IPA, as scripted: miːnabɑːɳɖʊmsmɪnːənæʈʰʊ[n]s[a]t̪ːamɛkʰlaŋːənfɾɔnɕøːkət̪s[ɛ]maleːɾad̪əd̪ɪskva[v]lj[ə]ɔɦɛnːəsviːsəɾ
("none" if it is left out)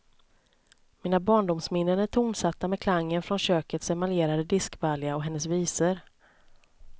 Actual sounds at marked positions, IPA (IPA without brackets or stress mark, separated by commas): m, a, ɛ, none, a